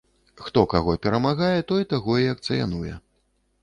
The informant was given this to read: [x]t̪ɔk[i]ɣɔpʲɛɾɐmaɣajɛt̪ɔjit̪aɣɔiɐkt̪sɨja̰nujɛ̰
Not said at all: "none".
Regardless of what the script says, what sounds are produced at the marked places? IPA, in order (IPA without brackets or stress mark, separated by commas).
x, a